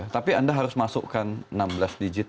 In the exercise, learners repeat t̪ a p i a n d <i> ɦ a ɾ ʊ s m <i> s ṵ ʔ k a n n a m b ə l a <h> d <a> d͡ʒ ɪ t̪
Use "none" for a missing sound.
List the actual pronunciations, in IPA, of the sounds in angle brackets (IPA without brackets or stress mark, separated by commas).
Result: a, a, s, i